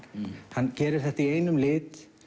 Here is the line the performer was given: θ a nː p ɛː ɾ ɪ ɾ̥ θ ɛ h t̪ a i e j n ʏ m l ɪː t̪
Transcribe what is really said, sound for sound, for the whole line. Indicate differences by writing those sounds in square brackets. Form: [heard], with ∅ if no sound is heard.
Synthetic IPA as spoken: [h] a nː [c] ɛː ɾ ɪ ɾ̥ θ ɛ h t̪ a i e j n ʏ m l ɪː t̪